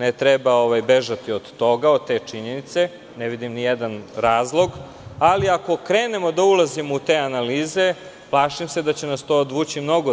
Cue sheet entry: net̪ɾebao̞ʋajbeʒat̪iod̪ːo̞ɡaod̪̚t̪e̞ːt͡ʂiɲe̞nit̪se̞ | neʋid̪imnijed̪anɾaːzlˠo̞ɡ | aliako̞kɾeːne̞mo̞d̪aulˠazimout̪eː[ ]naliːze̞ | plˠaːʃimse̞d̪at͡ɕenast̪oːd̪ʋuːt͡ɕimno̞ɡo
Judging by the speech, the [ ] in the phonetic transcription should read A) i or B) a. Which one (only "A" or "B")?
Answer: B